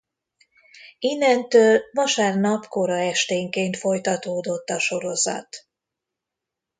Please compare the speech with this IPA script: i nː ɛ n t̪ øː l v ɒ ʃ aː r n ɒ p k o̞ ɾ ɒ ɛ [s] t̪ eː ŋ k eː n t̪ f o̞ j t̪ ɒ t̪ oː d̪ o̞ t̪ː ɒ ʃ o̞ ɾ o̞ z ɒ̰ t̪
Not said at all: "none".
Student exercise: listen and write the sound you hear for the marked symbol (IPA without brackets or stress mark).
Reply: ʃ